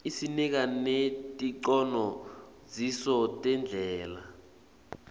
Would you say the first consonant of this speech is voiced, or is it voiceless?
voiceless